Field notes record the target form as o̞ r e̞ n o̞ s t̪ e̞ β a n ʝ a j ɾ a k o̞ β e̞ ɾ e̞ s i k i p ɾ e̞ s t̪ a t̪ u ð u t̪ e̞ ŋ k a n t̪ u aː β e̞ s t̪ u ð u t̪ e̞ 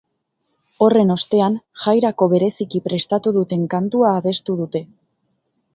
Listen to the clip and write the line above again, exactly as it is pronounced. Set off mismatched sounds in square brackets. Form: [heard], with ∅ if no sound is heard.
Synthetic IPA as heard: o̞ r e̞ n o̞ s t̪ e̞ [∅] a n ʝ a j ɾ a k o̞ β e̞ ɾ e̞ s i k i p ɾ e̞ s t̪ a t̪ u ð u t̪ e̞ ŋ k a n t̪ u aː β e̞ s t̪ u ð u t̪ e̞